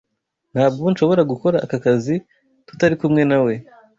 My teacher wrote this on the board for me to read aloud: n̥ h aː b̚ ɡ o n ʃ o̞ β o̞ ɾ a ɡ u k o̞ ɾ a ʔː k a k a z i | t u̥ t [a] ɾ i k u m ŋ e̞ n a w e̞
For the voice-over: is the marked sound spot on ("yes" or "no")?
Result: yes